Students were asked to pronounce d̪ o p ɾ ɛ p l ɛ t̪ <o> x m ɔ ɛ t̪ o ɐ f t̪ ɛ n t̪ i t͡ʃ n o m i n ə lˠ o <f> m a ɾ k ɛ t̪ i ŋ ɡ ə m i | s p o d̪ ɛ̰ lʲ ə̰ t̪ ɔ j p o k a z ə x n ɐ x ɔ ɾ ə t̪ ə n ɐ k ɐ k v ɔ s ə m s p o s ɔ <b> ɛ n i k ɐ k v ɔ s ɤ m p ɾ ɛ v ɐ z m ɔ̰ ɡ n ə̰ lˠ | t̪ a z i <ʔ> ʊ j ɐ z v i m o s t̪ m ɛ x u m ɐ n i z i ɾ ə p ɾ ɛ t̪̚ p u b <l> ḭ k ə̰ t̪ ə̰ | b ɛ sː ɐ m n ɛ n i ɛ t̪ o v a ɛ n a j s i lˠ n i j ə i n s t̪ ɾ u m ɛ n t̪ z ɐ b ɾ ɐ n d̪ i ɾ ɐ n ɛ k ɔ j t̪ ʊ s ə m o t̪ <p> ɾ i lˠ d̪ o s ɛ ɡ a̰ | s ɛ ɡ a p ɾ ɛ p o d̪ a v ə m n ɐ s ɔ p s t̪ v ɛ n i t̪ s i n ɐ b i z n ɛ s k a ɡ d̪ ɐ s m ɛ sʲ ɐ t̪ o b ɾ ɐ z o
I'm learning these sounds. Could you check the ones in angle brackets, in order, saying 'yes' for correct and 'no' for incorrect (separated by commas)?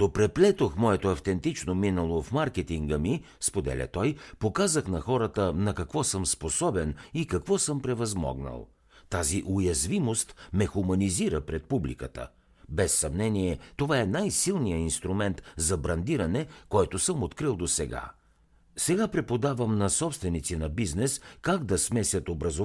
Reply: yes, yes, yes, yes, yes, no